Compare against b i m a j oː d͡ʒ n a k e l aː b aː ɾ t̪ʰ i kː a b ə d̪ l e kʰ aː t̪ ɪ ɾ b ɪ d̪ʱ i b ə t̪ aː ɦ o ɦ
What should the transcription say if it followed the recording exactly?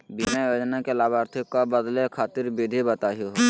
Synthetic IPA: b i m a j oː d͡ʒ n a k e l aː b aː ɾ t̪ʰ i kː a b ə d̪ l e kʰ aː t̪ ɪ ɾ b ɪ d̪ʱ i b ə t̪ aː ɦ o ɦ